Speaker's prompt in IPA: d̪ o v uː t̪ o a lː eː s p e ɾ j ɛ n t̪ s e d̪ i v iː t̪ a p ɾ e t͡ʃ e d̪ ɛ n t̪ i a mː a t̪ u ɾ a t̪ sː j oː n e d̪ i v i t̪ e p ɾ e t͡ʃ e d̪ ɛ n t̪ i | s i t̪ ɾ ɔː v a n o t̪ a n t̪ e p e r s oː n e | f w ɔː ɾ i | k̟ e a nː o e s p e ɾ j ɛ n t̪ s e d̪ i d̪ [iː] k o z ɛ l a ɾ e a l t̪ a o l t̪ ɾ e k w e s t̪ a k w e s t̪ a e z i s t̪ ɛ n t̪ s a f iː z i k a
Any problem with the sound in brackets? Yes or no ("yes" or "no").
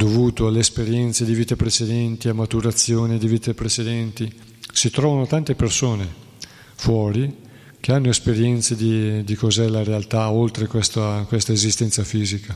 yes